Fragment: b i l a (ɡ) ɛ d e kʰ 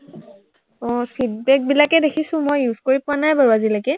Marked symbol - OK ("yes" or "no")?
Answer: no